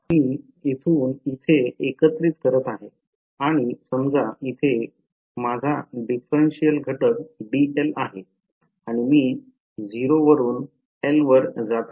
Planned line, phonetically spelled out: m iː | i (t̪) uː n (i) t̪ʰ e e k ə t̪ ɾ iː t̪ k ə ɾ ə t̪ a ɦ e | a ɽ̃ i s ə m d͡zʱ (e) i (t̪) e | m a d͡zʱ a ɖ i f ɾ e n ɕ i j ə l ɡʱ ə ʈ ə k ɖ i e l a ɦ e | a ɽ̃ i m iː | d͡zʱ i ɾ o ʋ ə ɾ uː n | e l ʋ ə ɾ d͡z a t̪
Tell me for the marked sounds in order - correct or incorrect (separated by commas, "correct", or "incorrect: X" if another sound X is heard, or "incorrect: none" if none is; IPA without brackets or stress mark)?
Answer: incorrect: t̪ʰ, correct, incorrect: a, incorrect: t̪ʰ